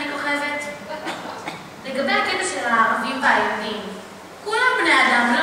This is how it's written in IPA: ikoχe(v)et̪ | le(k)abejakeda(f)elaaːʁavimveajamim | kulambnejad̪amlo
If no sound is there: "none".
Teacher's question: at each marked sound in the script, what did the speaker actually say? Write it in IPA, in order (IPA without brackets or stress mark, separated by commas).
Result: v, ɡ, ʃ